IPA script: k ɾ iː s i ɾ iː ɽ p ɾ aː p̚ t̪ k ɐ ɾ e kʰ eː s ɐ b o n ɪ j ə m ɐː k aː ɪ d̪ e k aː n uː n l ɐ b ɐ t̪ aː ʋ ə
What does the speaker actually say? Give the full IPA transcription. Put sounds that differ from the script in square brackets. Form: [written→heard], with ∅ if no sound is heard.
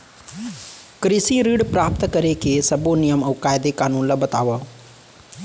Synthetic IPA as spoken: k ɾ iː s i ɾ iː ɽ p ɾ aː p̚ t̪ k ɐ ɾ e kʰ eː s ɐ b o n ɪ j ə m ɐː k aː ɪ d̪ e k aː n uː n l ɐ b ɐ t̪ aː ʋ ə